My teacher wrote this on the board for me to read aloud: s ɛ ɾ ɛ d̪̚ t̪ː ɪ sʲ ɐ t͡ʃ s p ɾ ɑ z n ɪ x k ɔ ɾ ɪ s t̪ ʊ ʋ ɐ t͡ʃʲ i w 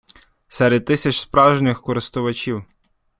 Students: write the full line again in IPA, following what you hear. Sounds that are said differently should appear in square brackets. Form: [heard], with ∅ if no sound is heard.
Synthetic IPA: s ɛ ɾ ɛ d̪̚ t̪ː ɪ sʲ ɐ t͡ʃ s p ɾ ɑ [ʒ] n ɪ x k ɔ ɾ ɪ s t̪ ʊ ʋ ɐ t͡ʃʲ i w